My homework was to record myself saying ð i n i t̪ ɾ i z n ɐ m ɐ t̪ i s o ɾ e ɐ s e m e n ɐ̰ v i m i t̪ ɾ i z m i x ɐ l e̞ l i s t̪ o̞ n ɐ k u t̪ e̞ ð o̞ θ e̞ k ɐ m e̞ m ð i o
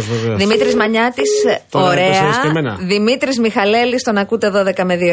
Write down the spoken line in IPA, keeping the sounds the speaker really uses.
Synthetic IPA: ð i m i t̪ ɾ i z m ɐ ɲ ɐ t̪ i s o ɾ e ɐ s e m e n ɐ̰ ð i m i t̪ ɾ i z m i x ɐ l e̞ l i s t̪ o̞ n ɐ k u t̪ e̞ ð o̞ ð e̞ k ɐ m e̞ ð i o